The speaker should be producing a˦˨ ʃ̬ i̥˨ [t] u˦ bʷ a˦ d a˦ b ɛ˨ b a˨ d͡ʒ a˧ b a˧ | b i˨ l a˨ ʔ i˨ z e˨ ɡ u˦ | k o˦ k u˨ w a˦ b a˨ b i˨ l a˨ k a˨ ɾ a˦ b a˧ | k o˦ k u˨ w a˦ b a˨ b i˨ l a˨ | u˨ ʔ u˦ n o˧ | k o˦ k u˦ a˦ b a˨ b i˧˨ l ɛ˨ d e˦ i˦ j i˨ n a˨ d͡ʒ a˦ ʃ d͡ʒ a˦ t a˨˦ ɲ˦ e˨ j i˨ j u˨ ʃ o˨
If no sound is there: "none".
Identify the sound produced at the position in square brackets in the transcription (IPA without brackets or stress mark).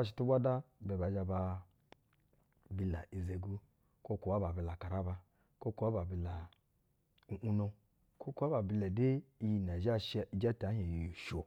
t